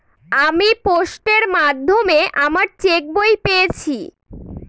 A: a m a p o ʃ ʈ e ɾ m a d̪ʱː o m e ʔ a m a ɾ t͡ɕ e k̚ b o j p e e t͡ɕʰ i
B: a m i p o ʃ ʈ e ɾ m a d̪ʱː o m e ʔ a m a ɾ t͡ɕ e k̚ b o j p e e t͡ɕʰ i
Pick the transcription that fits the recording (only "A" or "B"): B